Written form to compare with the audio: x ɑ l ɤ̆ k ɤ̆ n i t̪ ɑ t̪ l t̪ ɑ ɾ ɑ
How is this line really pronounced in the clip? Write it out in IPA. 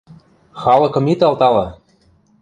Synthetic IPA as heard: x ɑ l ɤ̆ k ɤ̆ m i t̪ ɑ l t̪ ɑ l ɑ